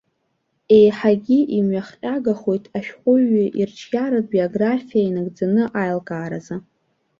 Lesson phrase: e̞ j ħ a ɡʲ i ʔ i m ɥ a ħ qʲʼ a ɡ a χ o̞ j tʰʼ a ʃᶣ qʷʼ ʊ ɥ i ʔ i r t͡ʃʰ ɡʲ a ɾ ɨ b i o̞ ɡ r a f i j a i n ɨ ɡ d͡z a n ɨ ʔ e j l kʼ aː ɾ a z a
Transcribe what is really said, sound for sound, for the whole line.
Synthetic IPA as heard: e̞ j ħ a ɡʲ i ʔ i m ɥ a χ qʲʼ a ɡ a χ o̞ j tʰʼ a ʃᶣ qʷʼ ʊ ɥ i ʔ i r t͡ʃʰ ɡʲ a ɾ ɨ b i o̞ ɡ r a f i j a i n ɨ ɡ d͡z a n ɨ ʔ a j l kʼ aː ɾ a z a